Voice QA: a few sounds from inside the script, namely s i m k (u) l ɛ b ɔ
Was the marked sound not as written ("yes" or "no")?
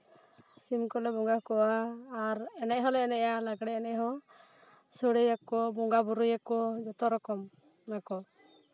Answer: yes